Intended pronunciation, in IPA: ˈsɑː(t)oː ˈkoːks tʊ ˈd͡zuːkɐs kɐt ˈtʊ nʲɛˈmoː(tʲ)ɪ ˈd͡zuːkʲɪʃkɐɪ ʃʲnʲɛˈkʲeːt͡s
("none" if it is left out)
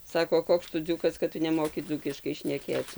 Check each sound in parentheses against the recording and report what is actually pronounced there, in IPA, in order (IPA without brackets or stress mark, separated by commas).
k, kʲ